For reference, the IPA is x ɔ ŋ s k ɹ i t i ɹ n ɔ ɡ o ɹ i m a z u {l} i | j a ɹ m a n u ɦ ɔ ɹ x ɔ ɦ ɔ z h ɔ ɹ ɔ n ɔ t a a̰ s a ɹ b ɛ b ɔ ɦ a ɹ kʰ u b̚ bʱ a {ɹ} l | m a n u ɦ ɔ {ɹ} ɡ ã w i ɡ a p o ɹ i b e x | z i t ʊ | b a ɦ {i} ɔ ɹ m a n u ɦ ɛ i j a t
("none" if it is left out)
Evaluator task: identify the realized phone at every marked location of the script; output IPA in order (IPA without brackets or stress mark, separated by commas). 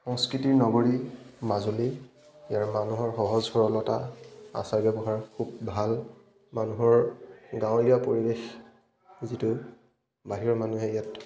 l, none, ɹ, i